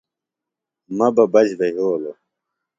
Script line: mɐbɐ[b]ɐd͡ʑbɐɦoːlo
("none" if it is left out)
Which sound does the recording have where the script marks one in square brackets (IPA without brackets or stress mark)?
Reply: b